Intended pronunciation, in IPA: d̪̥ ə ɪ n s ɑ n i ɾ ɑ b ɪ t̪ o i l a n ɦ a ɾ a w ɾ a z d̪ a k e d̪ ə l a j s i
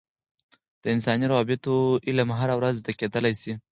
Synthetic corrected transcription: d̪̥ ə ɪ n s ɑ n i ɾ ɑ b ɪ t̪ o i l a m ɦ a ɾ a w ɾ a z d̪ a k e d̪ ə l a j s i